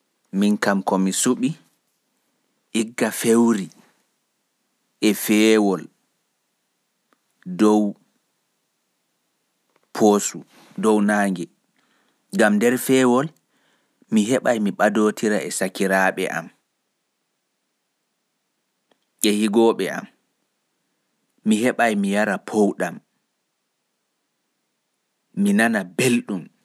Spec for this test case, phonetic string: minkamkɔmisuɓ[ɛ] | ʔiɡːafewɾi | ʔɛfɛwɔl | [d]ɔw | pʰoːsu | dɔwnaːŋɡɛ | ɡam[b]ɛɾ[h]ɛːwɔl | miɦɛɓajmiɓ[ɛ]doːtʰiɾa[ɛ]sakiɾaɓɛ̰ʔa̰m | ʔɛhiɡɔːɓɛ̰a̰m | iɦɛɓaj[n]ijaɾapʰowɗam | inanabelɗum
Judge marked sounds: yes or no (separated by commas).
no, yes, no, no, no, yes, no